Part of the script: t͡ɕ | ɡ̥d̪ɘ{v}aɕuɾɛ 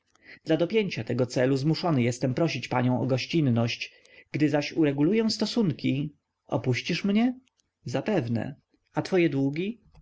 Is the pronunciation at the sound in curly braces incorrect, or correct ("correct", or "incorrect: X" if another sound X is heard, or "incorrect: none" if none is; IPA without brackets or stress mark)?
incorrect: z